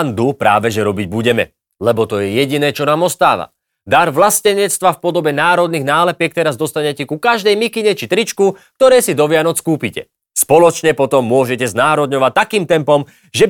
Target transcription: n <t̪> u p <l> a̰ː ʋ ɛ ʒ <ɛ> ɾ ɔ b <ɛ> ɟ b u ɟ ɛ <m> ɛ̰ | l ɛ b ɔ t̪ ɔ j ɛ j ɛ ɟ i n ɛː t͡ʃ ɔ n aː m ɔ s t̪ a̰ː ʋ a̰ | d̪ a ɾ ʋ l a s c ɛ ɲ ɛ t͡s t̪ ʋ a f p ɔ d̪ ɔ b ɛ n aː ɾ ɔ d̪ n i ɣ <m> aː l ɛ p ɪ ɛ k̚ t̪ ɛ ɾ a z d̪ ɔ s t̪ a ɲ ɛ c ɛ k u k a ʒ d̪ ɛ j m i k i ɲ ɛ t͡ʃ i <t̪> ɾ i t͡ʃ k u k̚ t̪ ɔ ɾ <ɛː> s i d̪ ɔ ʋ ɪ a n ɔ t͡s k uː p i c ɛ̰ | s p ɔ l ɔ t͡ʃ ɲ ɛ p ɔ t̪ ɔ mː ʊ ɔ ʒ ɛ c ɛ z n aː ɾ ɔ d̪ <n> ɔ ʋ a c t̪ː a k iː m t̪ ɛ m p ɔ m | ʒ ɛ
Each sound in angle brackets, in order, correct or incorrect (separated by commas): incorrect, incorrect, correct, incorrect, correct, incorrect, correct, correct, incorrect